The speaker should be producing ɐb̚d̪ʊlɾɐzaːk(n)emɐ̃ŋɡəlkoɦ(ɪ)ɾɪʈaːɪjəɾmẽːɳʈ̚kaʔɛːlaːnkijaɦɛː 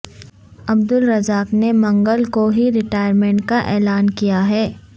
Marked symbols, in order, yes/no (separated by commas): yes, no